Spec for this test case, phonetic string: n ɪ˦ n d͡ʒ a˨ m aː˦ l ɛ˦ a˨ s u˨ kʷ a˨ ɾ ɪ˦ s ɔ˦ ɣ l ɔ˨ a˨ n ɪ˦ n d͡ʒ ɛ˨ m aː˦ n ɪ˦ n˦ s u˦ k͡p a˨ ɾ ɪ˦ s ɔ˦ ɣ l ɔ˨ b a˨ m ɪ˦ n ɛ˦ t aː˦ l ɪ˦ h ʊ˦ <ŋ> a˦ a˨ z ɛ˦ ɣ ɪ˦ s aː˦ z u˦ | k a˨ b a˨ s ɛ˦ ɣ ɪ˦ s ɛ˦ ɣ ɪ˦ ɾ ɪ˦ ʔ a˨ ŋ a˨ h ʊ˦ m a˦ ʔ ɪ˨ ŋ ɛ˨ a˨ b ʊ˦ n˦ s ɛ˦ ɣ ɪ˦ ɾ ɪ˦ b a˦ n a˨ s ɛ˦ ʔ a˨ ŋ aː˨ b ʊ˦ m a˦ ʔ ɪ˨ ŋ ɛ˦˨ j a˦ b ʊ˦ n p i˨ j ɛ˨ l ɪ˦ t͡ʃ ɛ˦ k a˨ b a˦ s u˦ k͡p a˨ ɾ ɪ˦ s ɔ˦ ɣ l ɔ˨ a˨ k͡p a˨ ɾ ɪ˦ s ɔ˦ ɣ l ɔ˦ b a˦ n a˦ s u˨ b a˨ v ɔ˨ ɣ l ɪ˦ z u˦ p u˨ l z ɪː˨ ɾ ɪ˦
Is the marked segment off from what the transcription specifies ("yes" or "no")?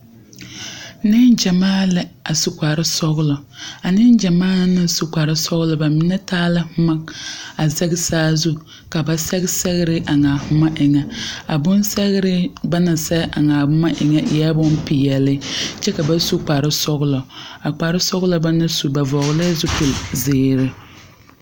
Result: yes